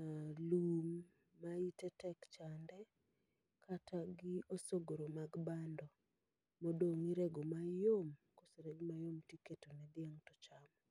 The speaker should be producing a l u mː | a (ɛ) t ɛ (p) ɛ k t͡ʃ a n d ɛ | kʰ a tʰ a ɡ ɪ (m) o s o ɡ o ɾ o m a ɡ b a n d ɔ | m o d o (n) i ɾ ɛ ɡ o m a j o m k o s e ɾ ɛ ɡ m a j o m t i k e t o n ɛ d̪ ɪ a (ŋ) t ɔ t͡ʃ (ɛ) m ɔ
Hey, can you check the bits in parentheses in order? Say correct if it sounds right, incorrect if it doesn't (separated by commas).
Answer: incorrect, incorrect, incorrect, incorrect, correct, incorrect